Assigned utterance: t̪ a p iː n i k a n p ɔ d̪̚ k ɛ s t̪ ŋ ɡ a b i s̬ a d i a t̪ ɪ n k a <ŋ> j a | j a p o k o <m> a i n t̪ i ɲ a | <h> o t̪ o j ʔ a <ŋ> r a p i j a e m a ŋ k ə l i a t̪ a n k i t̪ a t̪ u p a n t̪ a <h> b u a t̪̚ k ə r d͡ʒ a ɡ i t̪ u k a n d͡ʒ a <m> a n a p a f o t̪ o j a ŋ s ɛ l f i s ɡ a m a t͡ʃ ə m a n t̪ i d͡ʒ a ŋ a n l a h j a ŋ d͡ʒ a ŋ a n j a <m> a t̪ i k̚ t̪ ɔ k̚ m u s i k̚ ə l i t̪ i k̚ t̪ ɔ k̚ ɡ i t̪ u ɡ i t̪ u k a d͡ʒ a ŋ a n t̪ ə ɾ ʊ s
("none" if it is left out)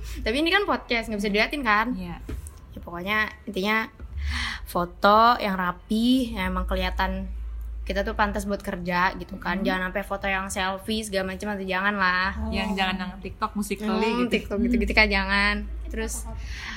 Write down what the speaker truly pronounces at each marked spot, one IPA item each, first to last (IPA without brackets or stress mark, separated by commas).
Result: n, ɲ, f, ŋ, s, ŋ, ŋ